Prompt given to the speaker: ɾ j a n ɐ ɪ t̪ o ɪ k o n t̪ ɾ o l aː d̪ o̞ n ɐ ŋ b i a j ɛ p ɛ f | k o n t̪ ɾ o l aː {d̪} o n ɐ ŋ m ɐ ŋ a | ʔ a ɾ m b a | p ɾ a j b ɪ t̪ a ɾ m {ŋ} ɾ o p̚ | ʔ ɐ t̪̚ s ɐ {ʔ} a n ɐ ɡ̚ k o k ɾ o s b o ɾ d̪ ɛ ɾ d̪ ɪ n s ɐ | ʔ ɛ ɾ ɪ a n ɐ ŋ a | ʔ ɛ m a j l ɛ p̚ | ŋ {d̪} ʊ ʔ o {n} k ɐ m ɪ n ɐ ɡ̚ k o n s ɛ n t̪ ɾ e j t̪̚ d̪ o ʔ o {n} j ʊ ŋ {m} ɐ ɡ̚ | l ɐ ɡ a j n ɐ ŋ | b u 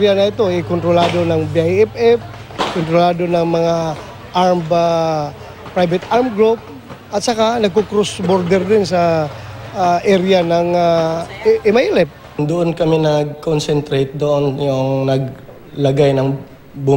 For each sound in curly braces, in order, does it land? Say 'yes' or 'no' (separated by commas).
yes, no, no, yes, yes, yes, no